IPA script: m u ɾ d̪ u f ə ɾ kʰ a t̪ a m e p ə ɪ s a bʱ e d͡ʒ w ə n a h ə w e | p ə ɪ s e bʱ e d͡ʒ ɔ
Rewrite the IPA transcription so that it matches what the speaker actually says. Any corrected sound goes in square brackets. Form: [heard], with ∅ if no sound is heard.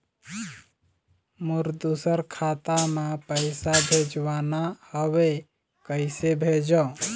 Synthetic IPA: m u ɾ d̪ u [s] ə ɾ kʰ a t̪ a m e p ə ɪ s a bʱ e d͡ʒ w [a] n a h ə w e | [k] ə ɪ s e bʱ e d͡ʒ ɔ

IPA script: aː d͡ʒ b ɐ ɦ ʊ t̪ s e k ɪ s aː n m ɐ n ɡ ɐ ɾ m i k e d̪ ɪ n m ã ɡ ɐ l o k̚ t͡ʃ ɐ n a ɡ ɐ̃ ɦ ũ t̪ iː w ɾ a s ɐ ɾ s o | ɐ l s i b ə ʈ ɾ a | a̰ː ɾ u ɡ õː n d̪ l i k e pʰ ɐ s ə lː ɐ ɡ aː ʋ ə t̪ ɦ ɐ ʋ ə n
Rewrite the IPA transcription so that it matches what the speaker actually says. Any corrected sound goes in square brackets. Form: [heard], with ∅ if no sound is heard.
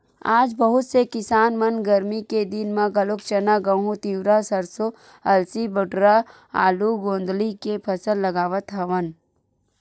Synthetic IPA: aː d͡ʒ b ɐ ɦ ʊ t̪ s e k ɪ s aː n m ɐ n ɡ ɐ ɾ m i k e d̪ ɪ n m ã ɡ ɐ l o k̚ t͡ʃ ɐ n a ɡ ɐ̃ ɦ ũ t̪ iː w ɾ a s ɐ ɾ s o | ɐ l s i b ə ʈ ɾ a | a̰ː [l] u ɡ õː n d̪ l i k e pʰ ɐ s ə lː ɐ ɡ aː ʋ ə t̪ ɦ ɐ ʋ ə n

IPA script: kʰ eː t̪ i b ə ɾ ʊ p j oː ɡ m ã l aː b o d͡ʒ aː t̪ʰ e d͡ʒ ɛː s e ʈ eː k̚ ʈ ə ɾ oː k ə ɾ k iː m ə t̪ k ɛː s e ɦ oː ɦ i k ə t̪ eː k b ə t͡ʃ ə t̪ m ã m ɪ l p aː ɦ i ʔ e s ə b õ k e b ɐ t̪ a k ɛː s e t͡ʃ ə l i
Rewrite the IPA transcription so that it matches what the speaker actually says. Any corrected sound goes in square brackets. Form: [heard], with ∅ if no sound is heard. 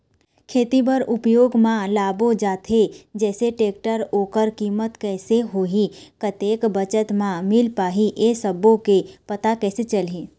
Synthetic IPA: kʰ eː t̪ i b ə ɾ ʊ p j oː ɡ m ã l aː b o d͡ʒ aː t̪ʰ e d͡ʒ ɛː s e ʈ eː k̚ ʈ ə ɾ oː k ə ɾ k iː m ə t̪ k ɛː s e ɦ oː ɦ i k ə t̪ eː k b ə t͡ʃ ə t̪ m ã m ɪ l p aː ɦ i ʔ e s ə b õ k e [p] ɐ t̪ a k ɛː s e t͡ʃ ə l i

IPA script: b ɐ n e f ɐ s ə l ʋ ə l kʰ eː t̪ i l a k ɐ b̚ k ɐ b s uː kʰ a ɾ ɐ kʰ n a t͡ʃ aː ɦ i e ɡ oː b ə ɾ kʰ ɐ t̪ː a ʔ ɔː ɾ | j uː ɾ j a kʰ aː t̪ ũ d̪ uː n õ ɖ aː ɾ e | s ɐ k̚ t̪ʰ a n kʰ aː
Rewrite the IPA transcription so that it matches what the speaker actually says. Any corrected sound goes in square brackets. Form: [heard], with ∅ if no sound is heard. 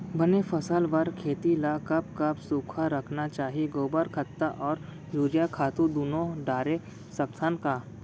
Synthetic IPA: b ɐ n e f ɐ s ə l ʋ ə [ɾ] kʰ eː t̪ i l a k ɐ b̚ k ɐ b s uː kʰ a ɾ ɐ kʰ n a t͡ʃ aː ɦ i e ɡ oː b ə ɾ kʰ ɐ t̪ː a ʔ ɔː ɾ | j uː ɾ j a kʰ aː t̪ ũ d̪ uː n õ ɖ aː ɾ e | s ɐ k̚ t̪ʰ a n [k] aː

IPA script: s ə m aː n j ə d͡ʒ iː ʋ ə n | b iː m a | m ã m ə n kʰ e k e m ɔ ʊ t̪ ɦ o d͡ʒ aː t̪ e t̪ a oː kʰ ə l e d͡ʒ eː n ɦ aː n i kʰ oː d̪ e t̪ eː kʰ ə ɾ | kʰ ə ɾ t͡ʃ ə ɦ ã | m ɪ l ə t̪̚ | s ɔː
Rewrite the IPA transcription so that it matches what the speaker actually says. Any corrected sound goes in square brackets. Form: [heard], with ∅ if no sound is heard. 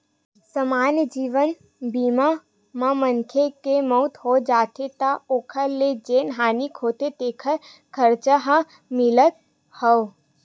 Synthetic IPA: s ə m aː n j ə d͡ʒ iː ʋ ə n | b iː m a | m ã m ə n kʰ e k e m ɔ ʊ t̪ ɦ o d͡ʒ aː t̪ e t̪ a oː kʰ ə l e d͡ʒ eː n ɦ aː n i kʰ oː [t̪] e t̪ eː kʰ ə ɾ | kʰ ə ɾ t͡ʃ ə ɦ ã | m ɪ l ə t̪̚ | [h] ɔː

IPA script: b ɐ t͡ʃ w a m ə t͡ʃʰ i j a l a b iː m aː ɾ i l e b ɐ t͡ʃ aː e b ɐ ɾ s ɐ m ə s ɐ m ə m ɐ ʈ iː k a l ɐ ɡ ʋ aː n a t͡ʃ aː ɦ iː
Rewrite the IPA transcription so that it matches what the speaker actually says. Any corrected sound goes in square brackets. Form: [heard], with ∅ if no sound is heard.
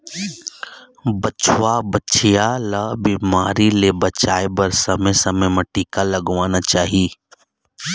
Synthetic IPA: b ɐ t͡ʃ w a [b] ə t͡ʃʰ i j a l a b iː m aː ɾ i l e b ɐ t͡ʃ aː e b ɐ ɾ s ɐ m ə s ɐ m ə m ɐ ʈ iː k a l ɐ ɡ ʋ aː n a t͡ʃ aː ɦ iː

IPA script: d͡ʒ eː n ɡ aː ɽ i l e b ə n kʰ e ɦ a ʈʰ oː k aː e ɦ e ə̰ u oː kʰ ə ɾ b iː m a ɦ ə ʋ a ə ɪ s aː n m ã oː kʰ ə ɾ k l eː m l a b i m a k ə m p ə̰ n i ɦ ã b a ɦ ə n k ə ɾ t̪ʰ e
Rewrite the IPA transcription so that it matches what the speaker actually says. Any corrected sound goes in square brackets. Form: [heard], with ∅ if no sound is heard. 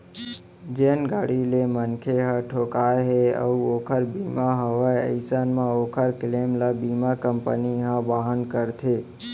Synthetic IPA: d͡ʒ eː n ɡ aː ɽ i l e [m] ə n kʰ e ɦ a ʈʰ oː k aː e ɦ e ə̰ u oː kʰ ə ɾ b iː m a ɦ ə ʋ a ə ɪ s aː n m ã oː kʰ ə ɾ k l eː m l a b i m a k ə m p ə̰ n i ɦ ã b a ɦ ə n k ə ɾ t̪ʰ e

